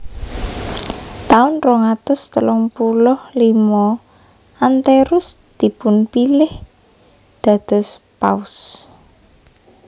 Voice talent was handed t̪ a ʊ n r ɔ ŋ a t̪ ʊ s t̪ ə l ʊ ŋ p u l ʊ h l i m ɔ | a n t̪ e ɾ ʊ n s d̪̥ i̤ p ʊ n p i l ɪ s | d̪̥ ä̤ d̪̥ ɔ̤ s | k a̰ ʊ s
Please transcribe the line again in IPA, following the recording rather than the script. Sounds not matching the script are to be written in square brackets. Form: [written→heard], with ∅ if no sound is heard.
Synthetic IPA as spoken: t̪ a ʊ n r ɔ ŋ a t̪ ʊ s t̪ ə l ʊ ŋ p u l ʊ h l i m ɔ | a n t̪ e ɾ ʊ [n→∅] s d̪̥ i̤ p ʊ n p i l ɪ [s→h] | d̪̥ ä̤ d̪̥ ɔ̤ s | [k→p] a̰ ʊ s